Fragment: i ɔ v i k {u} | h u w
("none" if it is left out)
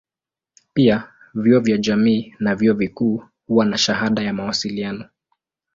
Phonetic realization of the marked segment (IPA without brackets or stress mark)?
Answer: uː